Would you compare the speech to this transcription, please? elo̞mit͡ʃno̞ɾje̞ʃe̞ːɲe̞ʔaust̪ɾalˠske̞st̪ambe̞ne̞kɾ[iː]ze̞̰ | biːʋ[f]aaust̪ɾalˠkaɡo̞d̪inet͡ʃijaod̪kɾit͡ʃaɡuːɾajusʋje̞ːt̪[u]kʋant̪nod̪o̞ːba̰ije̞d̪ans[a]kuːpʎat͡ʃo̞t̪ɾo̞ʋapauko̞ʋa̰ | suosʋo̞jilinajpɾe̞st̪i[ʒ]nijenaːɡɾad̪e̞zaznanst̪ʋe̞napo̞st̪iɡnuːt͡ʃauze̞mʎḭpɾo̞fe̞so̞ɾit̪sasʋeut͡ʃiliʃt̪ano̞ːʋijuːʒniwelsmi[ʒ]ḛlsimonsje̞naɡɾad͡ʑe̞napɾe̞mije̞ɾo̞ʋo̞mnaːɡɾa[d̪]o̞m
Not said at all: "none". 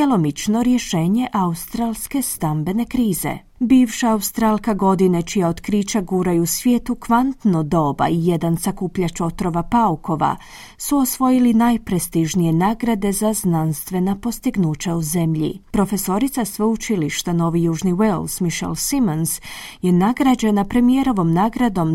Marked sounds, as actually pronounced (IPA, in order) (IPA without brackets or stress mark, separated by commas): iː, ʃ, u, a, ʒ, ʃ, d̪